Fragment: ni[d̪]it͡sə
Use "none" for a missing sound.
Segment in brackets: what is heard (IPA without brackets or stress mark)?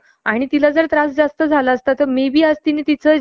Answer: t̪